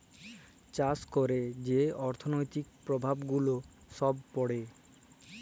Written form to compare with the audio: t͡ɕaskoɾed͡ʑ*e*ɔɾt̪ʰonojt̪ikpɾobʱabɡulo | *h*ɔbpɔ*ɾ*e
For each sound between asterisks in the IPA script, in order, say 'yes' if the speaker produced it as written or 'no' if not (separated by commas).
yes, no, no